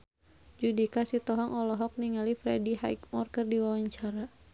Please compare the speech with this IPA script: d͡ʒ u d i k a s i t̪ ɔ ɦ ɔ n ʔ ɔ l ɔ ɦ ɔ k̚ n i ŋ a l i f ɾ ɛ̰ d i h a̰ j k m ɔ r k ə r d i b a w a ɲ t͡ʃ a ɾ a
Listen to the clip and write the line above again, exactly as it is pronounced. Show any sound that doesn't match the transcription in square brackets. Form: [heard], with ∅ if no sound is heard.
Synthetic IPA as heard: d͡ʒ u d i k a s i t̪ ɔ ɦ ɔ [ŋ] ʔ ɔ l ɔ ɦ ɔ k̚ n i ŋ a l i f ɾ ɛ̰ d i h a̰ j k m ɔ r k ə r d i [w] a w a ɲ t͡ʃ a ɾ a